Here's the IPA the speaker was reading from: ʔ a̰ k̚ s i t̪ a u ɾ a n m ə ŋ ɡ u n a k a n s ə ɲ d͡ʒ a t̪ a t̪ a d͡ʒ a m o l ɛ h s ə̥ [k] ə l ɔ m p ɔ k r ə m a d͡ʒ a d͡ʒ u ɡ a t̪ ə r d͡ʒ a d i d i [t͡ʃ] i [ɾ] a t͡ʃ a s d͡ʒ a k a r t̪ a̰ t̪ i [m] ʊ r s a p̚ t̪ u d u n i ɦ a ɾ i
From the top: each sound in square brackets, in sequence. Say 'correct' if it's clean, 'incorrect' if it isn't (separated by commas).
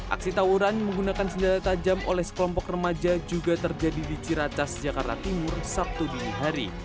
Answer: correct, correct, correct, correct